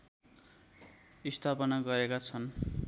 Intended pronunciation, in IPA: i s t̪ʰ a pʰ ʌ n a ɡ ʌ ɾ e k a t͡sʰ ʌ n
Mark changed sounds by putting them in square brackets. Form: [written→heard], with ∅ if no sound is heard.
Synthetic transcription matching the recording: i s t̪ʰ a [pʰ→p] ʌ n a ɡ ʌ ɾ e k a t͡sʰ ʌ n